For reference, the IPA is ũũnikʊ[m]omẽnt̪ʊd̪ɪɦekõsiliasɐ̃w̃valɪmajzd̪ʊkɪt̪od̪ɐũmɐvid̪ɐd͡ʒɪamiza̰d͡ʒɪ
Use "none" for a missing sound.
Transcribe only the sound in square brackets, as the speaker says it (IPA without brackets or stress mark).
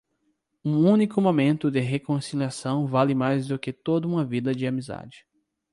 m